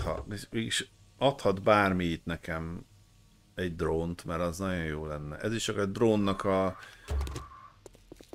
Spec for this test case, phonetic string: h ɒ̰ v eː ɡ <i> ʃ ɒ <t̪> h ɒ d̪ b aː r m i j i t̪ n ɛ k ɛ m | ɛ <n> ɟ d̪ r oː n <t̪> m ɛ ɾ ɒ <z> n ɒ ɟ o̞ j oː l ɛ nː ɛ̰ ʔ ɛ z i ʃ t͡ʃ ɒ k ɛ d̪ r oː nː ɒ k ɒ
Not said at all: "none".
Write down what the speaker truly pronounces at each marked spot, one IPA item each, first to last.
i, t̪, none, t̪, z

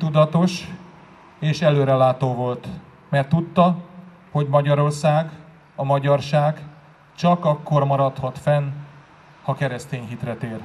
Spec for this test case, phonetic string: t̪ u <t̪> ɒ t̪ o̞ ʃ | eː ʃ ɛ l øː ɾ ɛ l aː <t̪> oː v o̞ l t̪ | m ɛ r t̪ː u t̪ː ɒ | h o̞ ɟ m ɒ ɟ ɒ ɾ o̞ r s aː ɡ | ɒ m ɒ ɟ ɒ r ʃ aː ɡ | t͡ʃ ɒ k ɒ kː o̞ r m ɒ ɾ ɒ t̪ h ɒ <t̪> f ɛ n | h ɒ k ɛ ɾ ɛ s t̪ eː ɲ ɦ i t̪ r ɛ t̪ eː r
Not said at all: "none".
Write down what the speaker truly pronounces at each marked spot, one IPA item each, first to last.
d̪, t̪, t̪

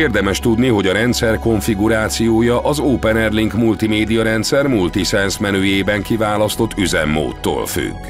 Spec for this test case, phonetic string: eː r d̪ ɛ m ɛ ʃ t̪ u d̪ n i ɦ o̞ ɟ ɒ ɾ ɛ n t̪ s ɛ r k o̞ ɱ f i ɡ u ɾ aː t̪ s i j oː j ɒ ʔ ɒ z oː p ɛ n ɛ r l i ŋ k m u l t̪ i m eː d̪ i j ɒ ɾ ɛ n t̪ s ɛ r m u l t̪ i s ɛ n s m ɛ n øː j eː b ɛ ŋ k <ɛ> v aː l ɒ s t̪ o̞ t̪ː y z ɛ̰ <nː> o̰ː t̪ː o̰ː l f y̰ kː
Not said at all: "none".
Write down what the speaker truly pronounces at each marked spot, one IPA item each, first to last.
i, mː

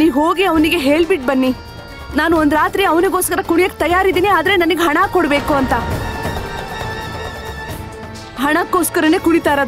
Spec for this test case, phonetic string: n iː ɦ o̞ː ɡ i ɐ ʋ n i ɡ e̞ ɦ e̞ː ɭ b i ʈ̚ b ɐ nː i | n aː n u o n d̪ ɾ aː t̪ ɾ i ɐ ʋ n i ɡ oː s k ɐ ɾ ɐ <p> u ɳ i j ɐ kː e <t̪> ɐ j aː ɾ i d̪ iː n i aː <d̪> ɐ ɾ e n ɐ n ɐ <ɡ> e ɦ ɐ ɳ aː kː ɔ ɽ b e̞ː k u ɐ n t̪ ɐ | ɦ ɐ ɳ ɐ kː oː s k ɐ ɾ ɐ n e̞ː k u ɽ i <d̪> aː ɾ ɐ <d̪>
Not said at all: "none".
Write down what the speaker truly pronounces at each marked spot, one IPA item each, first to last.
k, t̪, d̪, ɡ, t̪, d̪

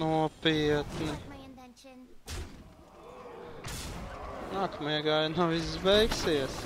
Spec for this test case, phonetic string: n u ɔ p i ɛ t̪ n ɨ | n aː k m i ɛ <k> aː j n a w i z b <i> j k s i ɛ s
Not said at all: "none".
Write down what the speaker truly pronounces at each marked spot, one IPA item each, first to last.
ɡ, ɛ

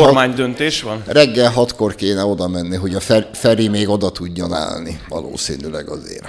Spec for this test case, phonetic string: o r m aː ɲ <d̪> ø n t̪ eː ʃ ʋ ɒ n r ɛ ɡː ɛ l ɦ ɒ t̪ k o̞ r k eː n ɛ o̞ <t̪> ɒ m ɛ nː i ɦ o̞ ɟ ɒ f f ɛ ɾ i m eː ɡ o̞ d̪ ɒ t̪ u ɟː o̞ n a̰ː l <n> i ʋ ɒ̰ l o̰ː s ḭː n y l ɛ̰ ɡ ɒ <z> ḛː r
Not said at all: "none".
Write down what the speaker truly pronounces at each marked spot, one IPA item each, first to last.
d̪, d̪, n, z

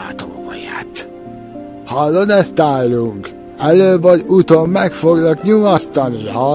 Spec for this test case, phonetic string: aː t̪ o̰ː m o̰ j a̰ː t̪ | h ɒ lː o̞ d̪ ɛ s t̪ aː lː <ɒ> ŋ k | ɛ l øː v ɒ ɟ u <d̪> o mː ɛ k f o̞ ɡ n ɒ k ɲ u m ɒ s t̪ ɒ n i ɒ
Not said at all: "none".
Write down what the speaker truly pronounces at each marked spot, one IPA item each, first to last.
u, t̪

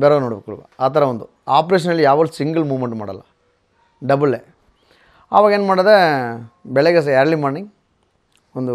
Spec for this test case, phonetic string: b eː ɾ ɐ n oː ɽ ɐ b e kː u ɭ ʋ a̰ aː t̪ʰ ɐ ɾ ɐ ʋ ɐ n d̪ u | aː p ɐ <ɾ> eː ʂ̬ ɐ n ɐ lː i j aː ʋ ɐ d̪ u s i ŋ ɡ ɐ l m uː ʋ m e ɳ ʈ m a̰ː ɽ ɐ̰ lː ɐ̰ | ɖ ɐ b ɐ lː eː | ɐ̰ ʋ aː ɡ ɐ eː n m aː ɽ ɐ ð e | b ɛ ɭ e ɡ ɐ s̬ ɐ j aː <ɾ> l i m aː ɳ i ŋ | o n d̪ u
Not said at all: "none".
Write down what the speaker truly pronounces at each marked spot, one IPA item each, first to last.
ɾ, ɾ

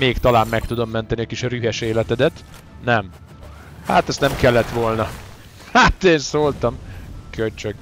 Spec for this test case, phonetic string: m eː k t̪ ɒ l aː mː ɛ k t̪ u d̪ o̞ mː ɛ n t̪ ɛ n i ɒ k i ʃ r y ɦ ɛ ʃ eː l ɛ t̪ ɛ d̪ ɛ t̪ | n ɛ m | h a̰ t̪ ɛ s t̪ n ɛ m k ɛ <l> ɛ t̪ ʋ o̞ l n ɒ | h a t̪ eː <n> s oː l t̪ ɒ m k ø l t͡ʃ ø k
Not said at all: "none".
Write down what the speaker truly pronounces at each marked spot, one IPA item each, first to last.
lː, n

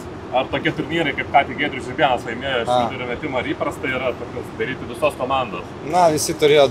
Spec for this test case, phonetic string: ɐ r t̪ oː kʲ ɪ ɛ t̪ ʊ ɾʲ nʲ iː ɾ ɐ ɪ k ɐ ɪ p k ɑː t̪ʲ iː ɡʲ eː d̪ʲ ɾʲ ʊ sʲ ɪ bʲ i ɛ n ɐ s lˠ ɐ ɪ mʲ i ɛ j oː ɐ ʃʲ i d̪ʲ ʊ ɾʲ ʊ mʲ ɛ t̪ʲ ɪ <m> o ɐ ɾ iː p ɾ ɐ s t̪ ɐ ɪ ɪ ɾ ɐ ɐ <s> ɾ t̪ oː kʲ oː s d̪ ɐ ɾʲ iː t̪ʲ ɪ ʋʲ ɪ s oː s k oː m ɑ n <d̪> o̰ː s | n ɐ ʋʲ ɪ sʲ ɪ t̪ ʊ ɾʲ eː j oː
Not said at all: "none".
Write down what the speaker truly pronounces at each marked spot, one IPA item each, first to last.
m, none, d̪

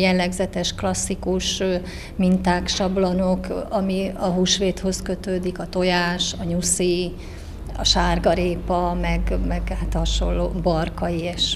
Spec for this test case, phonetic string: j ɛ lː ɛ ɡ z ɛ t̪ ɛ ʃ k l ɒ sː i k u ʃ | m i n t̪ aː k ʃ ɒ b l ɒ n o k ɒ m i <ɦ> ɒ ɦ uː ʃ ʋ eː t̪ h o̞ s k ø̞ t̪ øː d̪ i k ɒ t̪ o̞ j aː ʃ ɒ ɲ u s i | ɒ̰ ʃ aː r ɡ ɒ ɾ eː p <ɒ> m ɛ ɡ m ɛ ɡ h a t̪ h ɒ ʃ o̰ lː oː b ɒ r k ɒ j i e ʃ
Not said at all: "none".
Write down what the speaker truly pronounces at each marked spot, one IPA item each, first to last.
none, ɒ

